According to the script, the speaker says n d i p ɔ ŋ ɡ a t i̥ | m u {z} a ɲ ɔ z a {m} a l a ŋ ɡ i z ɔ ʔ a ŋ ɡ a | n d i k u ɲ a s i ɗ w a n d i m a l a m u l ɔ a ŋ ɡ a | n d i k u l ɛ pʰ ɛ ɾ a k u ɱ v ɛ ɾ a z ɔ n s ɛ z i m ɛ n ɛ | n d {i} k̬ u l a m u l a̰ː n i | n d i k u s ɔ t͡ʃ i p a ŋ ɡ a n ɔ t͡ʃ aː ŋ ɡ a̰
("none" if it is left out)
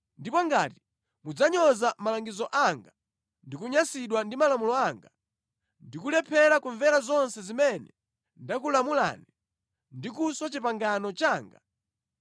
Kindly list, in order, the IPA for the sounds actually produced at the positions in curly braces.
d͡z, m, a

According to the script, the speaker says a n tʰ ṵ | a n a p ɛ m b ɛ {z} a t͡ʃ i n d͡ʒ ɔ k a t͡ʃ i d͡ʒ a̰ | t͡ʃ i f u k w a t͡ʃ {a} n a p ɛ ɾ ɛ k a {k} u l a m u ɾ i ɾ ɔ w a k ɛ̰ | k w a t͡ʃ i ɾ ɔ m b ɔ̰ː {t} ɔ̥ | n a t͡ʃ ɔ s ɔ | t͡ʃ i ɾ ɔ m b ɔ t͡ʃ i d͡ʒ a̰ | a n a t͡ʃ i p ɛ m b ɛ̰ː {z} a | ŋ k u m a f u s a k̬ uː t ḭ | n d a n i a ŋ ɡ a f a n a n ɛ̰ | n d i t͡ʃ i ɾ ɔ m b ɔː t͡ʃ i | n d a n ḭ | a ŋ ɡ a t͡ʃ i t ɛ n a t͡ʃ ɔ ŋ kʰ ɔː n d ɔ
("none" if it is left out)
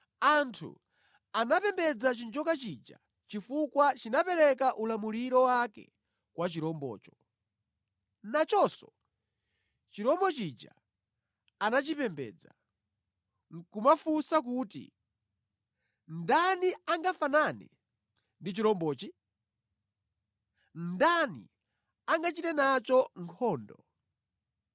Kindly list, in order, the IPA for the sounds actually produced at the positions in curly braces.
d͡z, i, ʔ, t͡ʃ, d͡z

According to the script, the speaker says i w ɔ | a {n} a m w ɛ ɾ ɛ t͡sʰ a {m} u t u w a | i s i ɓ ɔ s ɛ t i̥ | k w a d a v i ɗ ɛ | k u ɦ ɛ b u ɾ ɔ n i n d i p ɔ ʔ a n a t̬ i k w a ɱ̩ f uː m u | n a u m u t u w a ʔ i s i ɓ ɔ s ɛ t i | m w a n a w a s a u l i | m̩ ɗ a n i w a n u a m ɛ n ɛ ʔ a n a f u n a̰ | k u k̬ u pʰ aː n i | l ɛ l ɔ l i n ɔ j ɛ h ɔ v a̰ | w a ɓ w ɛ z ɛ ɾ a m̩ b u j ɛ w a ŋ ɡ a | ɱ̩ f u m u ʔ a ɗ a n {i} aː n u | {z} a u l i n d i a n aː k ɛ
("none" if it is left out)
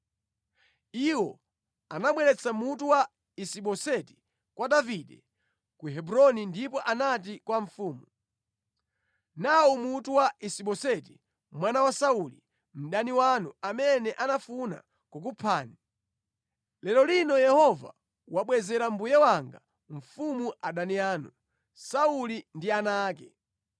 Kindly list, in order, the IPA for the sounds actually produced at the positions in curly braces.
n, m, i, s

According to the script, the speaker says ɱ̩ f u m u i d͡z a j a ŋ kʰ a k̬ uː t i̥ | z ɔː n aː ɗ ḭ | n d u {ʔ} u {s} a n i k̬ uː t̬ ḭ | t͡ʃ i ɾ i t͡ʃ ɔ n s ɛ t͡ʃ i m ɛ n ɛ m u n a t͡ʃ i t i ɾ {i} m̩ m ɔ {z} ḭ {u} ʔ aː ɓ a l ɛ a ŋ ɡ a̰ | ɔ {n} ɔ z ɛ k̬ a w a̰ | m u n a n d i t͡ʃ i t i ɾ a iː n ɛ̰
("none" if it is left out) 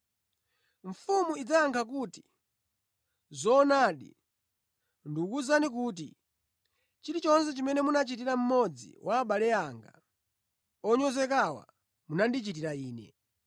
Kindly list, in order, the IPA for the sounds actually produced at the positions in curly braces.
k, z, a, d͡z, w, ɲ

